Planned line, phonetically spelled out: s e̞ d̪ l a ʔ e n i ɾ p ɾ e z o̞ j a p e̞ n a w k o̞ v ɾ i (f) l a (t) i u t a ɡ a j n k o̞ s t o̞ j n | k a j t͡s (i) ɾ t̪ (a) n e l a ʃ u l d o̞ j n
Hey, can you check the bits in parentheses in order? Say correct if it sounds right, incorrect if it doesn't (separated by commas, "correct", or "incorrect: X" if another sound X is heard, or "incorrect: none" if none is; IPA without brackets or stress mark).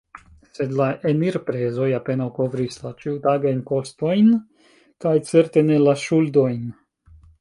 incorrect: s, incorrect: t͡ʃ, incorrect: e, incorrect: e